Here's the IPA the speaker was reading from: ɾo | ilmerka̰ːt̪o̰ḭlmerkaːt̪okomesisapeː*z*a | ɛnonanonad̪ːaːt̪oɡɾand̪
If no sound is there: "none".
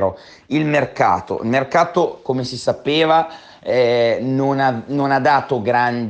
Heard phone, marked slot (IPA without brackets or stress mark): v